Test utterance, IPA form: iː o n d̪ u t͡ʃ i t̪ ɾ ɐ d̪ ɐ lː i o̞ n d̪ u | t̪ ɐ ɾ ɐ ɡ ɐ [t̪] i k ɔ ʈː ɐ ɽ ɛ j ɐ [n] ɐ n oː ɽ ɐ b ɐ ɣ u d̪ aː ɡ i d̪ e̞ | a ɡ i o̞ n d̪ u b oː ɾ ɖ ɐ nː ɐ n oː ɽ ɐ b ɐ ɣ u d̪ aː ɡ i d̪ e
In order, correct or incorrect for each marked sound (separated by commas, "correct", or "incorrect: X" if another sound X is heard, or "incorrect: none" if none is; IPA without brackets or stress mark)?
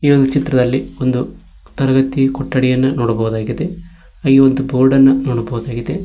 correct, incorrect: nː